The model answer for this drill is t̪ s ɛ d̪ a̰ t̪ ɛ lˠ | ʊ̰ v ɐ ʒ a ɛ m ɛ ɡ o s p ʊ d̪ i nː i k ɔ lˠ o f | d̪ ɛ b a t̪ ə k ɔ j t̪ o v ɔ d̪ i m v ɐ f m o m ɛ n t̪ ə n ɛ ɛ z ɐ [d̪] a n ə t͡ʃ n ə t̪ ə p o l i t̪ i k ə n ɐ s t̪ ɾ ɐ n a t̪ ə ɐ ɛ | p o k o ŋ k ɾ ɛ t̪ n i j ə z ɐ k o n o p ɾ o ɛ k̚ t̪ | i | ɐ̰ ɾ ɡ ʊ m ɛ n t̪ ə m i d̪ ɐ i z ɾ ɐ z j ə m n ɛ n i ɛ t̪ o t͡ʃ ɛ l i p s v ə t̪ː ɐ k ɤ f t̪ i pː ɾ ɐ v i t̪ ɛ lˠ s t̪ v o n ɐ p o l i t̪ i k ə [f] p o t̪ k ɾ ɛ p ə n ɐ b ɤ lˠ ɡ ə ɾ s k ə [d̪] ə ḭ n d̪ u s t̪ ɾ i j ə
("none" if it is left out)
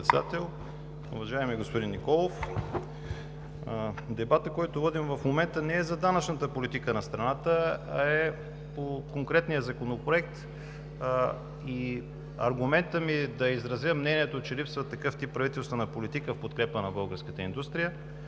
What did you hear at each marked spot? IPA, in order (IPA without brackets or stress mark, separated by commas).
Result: d̪, f, t̪